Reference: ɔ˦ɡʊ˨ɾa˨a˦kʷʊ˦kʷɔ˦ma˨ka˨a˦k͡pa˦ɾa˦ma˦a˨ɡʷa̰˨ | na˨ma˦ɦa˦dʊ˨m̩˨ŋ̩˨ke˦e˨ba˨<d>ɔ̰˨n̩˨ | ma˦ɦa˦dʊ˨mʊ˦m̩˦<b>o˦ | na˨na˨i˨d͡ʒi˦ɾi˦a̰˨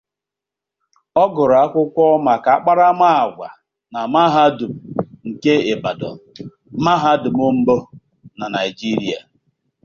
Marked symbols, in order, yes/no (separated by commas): yes, yes